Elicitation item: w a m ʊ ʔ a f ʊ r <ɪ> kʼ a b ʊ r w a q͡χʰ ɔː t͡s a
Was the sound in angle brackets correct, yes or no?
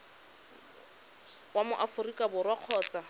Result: no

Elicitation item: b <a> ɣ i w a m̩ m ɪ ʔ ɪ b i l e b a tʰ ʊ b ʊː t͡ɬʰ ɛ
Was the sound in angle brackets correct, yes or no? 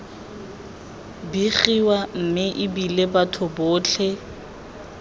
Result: no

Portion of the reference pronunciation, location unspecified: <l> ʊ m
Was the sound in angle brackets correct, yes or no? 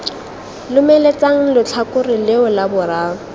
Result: yes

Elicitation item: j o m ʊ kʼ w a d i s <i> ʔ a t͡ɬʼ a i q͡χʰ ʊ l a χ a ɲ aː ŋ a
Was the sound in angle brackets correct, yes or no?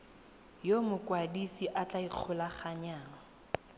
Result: yes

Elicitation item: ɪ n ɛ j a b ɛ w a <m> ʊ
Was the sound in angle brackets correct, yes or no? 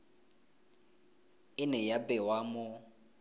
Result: yes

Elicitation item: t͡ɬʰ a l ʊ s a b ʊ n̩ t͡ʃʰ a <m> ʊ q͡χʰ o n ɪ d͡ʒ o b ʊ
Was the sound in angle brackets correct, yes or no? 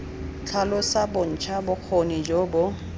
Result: no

